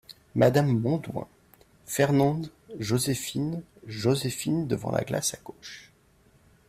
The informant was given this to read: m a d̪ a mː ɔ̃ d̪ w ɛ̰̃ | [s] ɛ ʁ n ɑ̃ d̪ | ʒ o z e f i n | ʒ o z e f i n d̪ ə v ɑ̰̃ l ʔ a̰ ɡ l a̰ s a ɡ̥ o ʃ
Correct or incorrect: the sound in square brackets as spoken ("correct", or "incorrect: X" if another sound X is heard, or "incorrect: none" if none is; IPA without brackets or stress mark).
incorrect: f